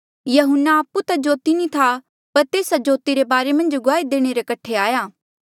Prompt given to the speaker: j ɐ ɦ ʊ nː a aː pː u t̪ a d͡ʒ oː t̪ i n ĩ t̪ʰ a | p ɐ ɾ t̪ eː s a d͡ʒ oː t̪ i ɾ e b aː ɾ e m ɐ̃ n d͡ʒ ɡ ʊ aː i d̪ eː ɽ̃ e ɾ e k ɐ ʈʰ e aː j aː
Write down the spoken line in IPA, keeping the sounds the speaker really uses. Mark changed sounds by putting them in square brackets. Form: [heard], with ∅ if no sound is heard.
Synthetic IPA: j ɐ ɦ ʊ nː a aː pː u t̪ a d͡ʒ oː t̪ i n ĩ t̪ʰ a | p ɐ ɾ t̪ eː s a d͡ʒ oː t̪ i ɾ e b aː ɾ e m ɐ̃ n d͡ʒ ɡ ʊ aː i d̪ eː ɽ̃ e ɾ e k ɐ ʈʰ e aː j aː